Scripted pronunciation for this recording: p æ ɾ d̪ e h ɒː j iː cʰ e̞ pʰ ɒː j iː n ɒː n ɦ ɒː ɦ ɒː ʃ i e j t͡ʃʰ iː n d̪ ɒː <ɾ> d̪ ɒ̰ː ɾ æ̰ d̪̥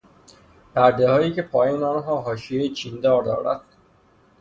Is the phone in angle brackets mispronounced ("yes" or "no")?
no